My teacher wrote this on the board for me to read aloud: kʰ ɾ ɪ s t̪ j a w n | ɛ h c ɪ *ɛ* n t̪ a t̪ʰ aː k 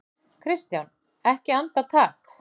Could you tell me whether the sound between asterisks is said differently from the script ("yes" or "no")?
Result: yes